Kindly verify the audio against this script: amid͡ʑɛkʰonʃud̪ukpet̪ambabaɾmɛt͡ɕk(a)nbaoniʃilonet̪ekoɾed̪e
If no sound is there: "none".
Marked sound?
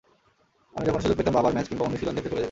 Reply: i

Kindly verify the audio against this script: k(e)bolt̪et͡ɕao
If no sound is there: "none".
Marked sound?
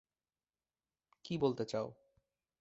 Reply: i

